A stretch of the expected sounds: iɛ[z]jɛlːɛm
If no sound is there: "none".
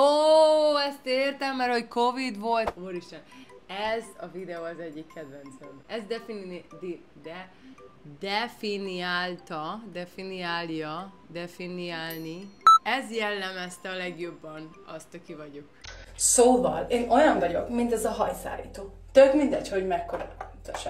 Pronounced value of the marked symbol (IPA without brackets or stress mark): z